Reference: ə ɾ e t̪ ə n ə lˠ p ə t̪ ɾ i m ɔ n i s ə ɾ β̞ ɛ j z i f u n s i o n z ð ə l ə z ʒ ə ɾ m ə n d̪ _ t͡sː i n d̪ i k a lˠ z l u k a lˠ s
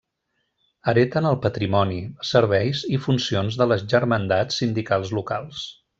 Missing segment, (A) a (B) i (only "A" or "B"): A